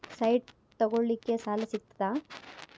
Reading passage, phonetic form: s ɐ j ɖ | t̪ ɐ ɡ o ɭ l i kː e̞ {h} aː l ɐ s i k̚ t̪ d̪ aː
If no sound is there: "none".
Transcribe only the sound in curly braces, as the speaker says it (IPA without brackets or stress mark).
s